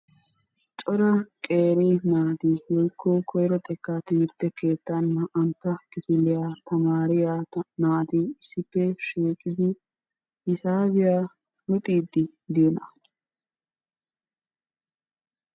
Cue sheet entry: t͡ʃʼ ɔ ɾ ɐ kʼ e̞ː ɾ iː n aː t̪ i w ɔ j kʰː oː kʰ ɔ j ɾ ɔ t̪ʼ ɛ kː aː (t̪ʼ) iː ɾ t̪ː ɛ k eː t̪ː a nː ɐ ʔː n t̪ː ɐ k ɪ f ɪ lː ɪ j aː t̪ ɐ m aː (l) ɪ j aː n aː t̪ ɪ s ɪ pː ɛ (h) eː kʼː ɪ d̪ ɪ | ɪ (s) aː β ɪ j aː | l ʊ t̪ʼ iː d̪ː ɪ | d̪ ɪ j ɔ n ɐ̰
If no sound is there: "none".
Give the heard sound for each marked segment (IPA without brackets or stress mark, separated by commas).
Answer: t̪, ɾ, ʃ, s